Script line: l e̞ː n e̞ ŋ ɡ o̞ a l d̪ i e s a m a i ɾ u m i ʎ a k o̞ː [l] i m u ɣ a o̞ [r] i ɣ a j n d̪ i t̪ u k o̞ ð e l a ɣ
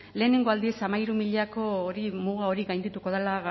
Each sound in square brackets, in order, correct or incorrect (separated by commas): incorrect, incorrect